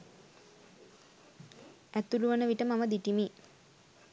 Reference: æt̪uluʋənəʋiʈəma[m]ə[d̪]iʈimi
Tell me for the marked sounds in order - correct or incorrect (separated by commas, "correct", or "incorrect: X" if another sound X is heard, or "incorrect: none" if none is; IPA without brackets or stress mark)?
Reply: correct, correct